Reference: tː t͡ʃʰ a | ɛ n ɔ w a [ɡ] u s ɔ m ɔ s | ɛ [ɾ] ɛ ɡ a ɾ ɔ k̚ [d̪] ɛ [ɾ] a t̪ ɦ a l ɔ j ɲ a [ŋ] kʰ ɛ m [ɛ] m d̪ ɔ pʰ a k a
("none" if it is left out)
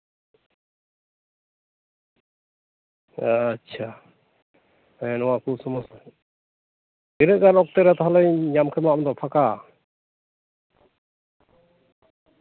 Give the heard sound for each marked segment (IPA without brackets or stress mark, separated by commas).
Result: k, ɾ, t̪, ɾ, m, a